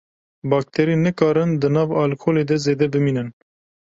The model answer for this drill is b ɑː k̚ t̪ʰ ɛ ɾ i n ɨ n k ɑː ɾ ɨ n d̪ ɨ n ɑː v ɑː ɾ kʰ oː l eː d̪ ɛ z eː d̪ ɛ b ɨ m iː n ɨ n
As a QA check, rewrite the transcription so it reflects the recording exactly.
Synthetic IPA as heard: b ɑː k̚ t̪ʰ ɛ ɾ i n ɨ k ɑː ɾ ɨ n d̪ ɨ n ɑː v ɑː l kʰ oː l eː d̪ ɛ z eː d̪ ɛ b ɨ m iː n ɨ n